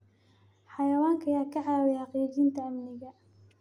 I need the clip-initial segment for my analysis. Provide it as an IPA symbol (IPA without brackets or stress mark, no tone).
ħ